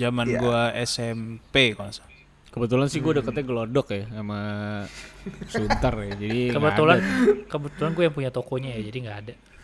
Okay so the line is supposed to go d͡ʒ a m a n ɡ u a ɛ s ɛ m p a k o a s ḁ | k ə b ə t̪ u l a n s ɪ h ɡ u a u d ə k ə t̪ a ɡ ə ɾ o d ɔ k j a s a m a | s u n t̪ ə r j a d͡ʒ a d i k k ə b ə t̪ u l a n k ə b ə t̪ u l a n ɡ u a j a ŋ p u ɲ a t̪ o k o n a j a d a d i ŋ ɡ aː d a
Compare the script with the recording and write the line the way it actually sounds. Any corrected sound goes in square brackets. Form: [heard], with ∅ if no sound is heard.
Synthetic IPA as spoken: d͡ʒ a m a n ɡ u a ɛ s ɛ m p [e] k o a s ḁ | k ə b ə t̪ u l a n s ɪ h ɡ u a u d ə k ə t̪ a ɡ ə [l] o d ɔ k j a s a m a | s u n t̪ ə r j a d͡ʒ a d i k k ə b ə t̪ u l a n k ə b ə t̪ u l a n ɡ u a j a ŋ p u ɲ a t̪ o k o [ɲ] a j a [d͡ʒ] a d i ŋ ɡ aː d a